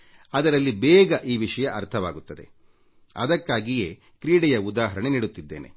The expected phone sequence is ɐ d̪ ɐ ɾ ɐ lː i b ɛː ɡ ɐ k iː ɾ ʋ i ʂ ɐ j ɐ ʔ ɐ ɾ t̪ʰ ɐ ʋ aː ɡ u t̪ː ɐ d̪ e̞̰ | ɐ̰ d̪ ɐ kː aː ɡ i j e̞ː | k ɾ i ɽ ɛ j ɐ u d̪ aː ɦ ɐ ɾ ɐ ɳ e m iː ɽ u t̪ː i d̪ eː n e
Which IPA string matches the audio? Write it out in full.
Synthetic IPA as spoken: ɐ d̪ ɐ ɾ ɐ lː i b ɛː ɡ ɐ ʔ iː ʋ i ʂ ɐ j ɐ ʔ ɐ ɾ t̪ʰ ɐ ʋ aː ɡ u t̪ː ɐ d̪ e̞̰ | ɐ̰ d̪ ɐ kː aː ɡ i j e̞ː | k ɾ iː ɽ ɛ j ɐ u d̪ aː ɦ ɐ ɾ ɐ ɳ e n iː ɽ u t̪ː i d̪ː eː n e